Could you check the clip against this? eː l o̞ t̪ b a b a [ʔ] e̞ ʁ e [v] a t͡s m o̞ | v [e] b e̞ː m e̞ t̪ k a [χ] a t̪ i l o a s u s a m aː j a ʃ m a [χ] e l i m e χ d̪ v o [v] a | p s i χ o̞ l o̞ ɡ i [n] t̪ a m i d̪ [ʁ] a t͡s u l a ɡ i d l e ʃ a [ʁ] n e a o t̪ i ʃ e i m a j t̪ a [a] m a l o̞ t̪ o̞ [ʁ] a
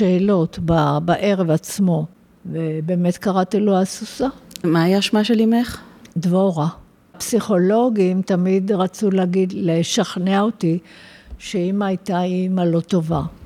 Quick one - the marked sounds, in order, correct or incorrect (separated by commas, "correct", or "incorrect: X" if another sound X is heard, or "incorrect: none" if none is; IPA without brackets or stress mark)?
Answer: correct, correct, correct, incorrect: ʁ, incorrect: ʃ, incorrect: ʁ, incorrect: m, correct, incorrect: χ, incorrect: i, incorrect: v